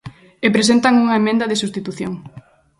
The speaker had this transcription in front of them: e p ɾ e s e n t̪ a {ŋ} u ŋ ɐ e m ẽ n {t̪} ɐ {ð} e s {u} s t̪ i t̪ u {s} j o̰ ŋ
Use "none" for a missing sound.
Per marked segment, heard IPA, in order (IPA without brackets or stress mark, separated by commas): ŋ, d̪, ð, u, θ